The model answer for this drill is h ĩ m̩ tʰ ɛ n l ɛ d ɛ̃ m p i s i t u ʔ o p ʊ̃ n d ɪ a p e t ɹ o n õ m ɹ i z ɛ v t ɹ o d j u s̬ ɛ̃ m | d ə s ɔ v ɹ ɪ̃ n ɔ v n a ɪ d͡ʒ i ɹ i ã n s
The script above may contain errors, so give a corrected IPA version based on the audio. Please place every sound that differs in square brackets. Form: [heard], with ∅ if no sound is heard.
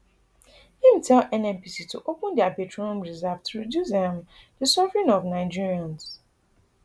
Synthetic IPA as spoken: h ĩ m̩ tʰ ɛ [∅] l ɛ [n] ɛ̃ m p i s i t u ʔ o p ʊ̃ n d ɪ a p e t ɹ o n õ m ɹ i z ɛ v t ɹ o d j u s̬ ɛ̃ m | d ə s ɔ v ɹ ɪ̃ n ɔ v n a ɪ d͡ʒ i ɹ i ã n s